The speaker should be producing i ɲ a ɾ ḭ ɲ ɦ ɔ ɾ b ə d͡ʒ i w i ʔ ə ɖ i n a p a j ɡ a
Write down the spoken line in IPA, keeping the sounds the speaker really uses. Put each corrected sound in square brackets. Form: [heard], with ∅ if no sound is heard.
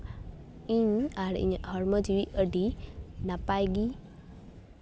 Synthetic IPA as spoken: i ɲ a ɾ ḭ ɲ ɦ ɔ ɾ [m] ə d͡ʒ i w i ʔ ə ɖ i n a p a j ɡ [i]